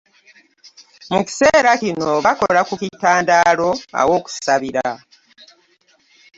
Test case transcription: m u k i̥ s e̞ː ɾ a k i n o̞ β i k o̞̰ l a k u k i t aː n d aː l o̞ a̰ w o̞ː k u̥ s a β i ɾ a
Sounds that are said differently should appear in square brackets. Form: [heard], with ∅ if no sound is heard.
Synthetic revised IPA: m u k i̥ s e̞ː ɾ a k i n o̞ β [a] k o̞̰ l a k u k i t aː n d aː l o̞ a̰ w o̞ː k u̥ s a β i ɾ a